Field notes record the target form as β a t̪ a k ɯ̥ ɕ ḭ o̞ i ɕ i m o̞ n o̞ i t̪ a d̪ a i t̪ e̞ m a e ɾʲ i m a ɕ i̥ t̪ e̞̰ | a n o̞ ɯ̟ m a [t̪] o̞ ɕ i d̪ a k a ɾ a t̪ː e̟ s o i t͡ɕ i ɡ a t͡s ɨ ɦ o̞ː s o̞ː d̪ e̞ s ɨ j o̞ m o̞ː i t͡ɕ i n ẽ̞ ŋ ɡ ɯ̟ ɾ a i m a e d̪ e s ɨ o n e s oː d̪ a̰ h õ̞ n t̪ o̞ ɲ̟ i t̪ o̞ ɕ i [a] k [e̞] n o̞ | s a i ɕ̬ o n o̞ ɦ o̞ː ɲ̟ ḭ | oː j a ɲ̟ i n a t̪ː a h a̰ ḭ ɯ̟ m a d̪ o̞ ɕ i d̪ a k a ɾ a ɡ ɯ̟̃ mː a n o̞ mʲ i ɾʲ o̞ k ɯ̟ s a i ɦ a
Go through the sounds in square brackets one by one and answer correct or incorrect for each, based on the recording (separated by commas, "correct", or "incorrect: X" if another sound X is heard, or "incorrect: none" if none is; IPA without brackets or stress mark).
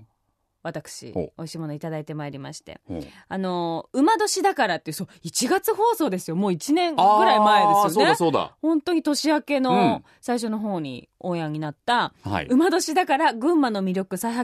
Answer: incorrect: d̪, correct, correct